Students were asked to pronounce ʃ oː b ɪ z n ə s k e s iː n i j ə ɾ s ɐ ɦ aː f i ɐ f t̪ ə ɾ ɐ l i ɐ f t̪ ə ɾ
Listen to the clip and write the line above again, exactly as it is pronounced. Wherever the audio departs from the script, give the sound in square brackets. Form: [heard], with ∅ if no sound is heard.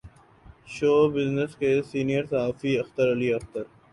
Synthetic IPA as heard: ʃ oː b ɪ z n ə s k e s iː n i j ə ɾ s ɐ ɦ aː f i ɐ [x] t̪ ə ɾ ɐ l i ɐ [x] t̪ ə ɾ